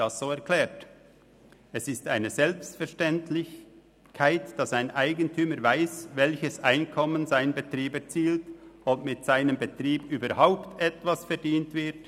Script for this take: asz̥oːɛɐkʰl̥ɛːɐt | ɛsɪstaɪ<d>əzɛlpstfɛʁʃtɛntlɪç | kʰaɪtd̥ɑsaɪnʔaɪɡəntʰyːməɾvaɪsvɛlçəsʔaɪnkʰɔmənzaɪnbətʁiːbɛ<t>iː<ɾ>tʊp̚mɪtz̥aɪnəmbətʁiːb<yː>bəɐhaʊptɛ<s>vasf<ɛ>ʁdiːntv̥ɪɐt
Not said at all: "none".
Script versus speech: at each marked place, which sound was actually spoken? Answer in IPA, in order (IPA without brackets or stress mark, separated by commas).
n, t͡s, l, yː, t, ɛ